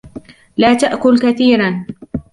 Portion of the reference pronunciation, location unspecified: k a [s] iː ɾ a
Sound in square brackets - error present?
yes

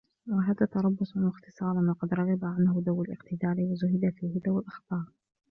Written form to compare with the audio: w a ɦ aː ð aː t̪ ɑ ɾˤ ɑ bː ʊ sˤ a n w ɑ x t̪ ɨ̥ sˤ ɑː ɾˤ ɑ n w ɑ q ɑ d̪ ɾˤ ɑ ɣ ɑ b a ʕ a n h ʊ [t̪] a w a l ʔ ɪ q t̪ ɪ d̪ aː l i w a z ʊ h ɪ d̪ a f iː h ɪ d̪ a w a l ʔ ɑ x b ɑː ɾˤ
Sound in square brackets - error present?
yes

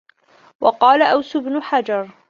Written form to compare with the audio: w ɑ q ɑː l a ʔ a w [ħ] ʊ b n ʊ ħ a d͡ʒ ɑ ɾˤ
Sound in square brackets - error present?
yes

